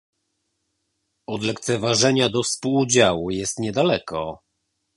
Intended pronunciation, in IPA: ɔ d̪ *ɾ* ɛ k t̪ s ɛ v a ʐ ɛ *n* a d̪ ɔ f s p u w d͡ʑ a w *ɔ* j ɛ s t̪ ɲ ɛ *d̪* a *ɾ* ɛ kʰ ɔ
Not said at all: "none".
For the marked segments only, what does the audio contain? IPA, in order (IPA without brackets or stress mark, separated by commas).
l, ɲ, u, d̪, l